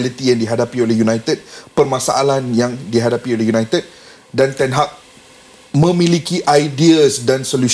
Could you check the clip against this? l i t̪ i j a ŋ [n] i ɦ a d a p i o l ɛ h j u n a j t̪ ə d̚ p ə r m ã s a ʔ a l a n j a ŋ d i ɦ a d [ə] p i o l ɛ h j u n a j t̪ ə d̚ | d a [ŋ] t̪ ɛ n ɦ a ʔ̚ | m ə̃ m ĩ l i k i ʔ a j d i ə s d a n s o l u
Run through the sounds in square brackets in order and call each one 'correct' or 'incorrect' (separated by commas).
incorrect, incorrect, incorrect